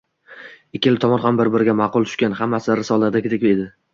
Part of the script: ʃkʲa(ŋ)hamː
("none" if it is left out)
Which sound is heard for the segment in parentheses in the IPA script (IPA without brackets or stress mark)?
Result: n